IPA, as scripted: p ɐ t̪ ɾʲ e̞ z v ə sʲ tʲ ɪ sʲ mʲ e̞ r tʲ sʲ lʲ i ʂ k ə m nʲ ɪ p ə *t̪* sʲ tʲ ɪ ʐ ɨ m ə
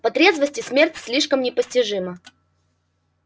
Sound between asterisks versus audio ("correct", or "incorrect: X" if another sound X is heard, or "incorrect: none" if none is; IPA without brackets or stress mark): incorrect: none